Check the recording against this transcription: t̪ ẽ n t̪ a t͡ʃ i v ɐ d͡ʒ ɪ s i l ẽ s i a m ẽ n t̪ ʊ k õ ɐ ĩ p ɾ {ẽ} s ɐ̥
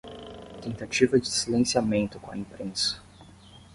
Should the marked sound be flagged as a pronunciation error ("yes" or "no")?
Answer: no